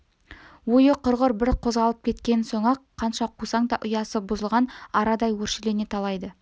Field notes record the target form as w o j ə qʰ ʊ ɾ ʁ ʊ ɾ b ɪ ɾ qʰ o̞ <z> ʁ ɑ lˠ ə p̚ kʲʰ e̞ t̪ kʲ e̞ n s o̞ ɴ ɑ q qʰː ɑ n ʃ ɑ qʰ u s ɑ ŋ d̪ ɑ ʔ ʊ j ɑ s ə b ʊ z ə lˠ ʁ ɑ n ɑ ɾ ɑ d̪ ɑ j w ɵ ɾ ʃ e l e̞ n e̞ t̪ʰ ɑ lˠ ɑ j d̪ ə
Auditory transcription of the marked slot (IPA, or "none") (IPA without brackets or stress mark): z